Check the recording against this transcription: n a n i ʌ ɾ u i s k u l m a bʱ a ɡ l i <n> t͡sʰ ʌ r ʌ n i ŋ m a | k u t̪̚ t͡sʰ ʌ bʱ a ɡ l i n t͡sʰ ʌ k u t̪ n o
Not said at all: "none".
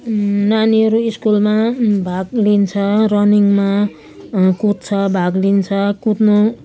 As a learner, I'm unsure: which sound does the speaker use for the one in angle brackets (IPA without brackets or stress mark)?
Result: n